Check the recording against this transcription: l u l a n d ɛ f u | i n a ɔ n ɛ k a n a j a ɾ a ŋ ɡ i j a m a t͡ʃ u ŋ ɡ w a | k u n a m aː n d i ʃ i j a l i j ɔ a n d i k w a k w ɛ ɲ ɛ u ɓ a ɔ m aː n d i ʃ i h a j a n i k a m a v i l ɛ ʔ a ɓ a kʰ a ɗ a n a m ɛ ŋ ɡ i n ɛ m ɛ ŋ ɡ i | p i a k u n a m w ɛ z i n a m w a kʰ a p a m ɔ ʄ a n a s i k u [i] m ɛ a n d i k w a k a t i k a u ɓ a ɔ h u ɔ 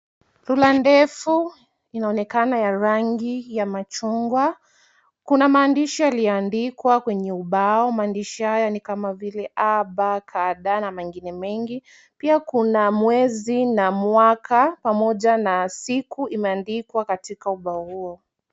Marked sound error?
no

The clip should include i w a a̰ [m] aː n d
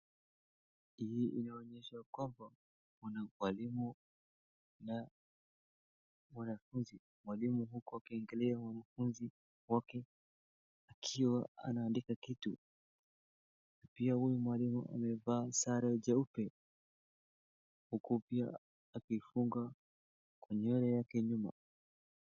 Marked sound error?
yes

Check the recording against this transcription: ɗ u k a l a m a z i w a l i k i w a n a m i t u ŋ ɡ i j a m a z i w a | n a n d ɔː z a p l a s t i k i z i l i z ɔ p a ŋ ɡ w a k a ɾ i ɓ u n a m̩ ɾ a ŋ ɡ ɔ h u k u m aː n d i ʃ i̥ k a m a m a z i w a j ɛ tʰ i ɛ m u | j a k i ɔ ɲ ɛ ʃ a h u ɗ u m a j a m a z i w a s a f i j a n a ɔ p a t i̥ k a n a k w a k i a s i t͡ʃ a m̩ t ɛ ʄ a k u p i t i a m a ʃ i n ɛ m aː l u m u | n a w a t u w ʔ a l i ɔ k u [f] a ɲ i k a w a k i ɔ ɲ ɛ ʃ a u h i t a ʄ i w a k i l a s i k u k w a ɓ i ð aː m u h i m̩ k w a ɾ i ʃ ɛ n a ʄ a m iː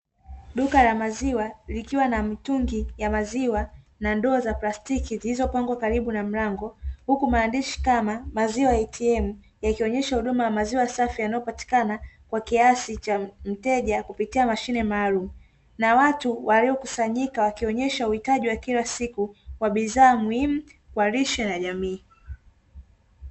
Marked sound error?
yes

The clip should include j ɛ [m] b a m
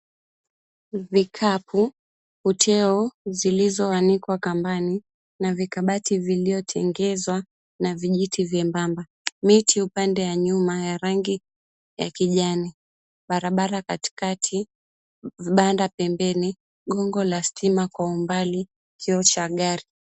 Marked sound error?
no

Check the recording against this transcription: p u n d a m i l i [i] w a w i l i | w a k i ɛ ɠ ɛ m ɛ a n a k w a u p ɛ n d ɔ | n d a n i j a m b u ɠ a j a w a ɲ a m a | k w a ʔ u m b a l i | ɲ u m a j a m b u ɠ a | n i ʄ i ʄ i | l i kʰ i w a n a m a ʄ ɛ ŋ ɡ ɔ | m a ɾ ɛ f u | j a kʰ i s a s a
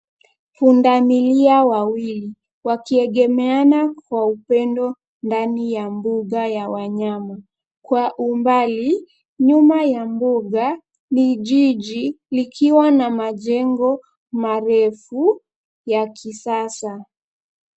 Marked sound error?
yes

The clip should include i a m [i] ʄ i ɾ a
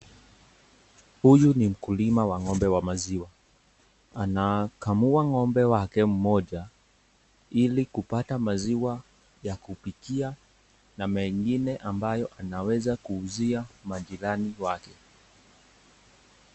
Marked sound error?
yes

